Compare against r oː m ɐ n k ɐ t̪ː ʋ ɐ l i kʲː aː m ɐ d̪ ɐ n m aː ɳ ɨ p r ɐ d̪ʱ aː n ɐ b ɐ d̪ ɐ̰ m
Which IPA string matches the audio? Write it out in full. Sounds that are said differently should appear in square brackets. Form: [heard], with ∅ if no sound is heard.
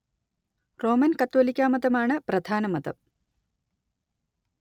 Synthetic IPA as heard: r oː m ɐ n k ɐ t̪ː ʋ ɐ l i kʲː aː m ɐ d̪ ɐ [∅] m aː ɳ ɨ p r ɐ d̪ʱ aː n ɐ [m] ɐ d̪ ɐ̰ m